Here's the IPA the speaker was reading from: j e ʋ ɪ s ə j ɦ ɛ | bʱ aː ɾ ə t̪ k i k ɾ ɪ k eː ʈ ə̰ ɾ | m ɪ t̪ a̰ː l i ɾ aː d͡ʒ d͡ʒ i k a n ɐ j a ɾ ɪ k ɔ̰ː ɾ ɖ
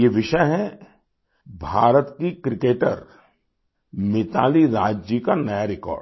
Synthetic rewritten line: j e ʋ ɪ ʃ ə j ɦ ɛ | bʱ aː ɾ ə t̪ k i k ɾ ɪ k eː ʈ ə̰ ɾ | m ɪ t̪ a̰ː l i ɾ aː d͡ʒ d͡ʒ i k a n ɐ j a ɾ ɪ k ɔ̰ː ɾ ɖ